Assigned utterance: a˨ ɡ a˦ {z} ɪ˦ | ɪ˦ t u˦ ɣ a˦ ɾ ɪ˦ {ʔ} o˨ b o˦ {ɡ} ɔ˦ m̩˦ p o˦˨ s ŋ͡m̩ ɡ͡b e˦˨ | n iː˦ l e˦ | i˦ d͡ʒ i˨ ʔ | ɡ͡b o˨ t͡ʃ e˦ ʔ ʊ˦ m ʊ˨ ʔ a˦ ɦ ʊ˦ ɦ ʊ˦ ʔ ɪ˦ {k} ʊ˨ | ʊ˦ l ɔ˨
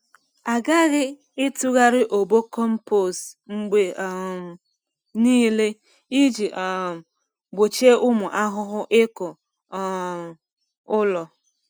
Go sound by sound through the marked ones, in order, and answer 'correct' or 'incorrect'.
incorrect: ɣ, correct, incorrect: k, correct

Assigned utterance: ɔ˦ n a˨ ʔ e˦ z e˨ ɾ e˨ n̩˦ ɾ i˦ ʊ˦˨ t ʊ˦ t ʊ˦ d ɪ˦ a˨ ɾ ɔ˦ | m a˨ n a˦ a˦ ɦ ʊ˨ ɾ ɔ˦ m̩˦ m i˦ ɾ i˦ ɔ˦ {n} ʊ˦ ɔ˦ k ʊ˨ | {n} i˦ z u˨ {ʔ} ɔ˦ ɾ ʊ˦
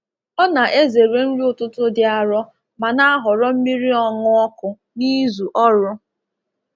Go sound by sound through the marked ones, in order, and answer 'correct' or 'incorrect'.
incorrect: ŋ, correct, correct

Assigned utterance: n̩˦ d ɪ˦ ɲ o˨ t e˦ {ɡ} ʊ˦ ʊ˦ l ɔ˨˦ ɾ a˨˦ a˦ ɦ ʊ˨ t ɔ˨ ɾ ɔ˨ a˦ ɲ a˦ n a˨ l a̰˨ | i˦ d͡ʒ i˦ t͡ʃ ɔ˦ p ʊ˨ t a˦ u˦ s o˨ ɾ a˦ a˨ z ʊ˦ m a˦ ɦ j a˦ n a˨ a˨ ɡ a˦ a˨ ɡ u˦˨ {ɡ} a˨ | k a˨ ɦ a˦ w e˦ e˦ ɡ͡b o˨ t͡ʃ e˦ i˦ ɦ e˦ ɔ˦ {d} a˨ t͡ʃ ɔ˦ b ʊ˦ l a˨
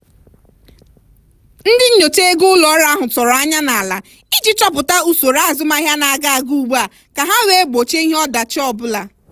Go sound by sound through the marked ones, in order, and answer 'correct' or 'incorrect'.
correct, incorrect: ɡ͡b, correct

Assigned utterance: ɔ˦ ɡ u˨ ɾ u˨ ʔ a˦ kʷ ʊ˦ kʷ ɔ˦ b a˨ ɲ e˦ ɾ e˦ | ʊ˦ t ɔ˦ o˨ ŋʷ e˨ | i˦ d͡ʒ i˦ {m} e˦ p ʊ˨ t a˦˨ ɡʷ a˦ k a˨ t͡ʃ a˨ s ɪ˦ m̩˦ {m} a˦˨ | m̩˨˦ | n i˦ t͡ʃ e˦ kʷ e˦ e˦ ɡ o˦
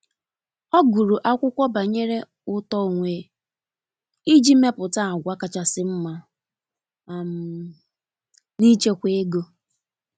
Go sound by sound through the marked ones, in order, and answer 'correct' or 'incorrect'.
correct, correct

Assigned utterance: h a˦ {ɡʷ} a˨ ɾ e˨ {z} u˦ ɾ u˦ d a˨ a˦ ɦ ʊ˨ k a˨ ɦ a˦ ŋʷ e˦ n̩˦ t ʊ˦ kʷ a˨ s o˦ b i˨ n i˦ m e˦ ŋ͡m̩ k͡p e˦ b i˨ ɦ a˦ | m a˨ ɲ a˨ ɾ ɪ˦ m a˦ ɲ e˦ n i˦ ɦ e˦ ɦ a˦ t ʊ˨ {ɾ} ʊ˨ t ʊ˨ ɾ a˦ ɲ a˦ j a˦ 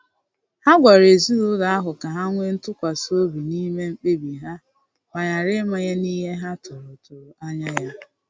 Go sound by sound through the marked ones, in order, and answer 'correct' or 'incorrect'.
correct, correct, correct

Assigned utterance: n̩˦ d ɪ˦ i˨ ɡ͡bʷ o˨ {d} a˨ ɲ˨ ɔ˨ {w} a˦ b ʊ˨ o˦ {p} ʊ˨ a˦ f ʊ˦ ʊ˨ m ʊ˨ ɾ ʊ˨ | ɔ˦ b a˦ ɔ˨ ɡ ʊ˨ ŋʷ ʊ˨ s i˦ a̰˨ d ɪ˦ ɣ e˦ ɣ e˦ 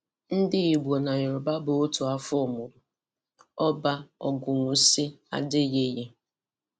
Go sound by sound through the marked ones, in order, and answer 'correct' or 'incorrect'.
incorrect: n, incorrect: b, incorrect: t

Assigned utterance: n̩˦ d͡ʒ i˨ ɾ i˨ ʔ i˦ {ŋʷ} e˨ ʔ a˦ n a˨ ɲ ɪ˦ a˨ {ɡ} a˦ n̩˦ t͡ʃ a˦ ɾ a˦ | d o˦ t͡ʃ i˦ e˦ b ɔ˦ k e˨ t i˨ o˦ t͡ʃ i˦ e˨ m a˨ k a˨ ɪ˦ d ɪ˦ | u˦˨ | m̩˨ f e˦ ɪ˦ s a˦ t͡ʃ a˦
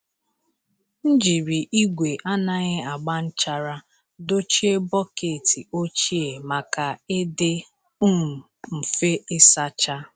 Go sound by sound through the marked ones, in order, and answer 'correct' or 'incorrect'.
incorrect: ɡʷ, incorrect: ɡ͡b

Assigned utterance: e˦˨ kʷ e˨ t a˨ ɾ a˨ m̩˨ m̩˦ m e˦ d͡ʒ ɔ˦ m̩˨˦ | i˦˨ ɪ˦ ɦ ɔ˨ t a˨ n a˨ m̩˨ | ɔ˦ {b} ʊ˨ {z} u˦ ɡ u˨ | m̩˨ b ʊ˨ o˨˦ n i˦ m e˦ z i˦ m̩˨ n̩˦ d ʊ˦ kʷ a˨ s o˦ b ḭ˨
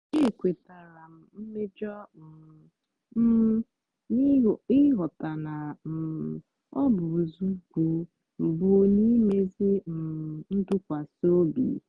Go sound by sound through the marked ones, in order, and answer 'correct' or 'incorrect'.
correct, correct

